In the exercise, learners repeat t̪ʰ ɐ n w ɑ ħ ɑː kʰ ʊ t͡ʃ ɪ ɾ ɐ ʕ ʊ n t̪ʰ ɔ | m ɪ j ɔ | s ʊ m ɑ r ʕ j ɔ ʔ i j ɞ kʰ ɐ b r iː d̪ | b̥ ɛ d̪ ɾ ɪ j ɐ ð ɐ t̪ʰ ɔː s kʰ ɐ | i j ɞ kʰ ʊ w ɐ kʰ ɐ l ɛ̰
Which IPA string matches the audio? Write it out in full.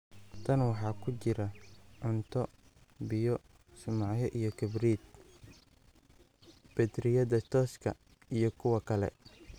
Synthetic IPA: t̪ʰ ɐ n w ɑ ħ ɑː kʰ ʊ t͡ʃ ɪ ɾ ɐ ʕ ʊ n t̪ʰ ɔ | b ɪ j ɔ | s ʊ m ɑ ʕ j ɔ ʔ i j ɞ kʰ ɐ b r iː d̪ | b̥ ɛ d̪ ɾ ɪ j ɐ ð ɐ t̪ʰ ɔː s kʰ ɐ | i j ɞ kʰ ʊ w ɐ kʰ ɐ l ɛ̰